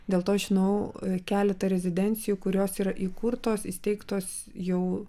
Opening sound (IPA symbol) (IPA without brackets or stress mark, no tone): d̪ʲ